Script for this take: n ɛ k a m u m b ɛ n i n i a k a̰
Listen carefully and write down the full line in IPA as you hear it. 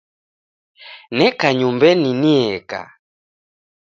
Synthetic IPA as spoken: n ɛ k a ɲ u m b ɛ n i n i ɛ k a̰